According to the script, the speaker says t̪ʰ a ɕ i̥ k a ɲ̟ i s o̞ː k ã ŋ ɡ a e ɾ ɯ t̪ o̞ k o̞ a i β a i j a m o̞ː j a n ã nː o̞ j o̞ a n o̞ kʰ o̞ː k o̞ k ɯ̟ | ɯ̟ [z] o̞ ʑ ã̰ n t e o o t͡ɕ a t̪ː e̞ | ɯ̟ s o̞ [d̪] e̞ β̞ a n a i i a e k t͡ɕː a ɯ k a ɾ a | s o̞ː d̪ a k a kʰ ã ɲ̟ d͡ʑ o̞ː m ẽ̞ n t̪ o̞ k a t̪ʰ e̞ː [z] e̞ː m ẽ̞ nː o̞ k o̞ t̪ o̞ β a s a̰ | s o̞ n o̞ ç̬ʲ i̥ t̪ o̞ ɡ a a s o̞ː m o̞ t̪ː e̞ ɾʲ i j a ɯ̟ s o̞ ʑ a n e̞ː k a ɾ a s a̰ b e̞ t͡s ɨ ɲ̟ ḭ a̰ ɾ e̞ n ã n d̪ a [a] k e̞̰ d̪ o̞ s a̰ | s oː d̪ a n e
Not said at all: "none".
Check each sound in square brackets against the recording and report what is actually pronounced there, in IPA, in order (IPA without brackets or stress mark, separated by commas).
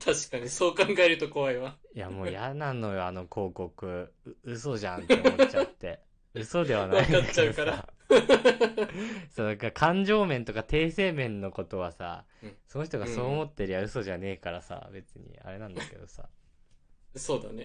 s, d̪, s, a